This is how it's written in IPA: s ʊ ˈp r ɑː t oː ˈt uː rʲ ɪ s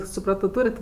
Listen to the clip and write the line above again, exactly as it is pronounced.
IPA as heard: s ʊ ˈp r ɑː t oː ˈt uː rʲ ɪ t